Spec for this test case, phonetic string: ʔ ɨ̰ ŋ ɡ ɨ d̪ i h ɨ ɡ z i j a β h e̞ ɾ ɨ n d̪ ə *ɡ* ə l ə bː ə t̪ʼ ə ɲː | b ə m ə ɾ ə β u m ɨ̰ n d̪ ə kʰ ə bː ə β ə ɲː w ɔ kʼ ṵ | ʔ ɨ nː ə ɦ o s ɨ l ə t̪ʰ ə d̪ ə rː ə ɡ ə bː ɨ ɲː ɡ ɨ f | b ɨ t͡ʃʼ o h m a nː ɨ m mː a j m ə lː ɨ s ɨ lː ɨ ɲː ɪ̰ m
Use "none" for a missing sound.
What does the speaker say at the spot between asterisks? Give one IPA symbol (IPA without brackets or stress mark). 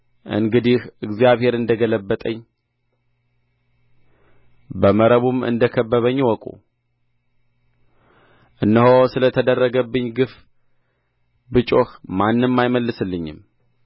ɡ